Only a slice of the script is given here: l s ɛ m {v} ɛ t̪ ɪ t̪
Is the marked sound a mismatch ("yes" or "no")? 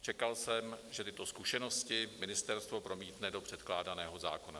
yes